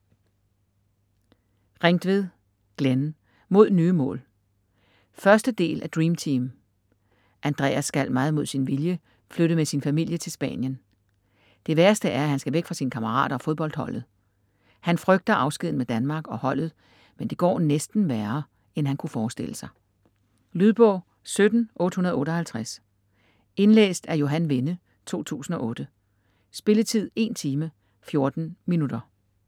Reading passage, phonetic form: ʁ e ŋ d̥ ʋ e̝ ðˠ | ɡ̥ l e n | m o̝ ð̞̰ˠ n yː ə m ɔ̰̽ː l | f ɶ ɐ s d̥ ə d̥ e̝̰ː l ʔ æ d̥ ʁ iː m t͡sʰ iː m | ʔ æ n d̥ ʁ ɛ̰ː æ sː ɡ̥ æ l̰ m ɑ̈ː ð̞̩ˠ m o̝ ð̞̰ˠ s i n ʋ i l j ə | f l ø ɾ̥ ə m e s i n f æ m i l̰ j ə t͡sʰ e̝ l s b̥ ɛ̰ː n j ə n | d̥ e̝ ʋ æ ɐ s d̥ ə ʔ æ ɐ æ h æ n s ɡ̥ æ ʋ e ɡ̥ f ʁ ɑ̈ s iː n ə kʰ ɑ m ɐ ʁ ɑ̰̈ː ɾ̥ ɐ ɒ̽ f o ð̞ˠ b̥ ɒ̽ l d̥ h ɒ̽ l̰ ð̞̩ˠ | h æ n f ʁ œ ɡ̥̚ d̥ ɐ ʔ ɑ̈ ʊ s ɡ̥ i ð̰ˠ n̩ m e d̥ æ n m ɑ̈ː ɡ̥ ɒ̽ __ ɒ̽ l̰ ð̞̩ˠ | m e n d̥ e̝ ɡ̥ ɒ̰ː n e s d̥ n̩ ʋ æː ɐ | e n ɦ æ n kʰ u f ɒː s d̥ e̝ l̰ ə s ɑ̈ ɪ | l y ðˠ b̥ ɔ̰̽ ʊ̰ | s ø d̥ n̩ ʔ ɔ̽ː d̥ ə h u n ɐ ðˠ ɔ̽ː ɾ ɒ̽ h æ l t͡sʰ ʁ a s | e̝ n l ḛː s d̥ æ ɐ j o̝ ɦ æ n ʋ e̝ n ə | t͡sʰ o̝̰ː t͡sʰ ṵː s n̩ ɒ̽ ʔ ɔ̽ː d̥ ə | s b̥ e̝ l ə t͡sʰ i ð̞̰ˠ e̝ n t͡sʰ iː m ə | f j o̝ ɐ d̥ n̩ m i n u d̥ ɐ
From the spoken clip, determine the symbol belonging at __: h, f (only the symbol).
h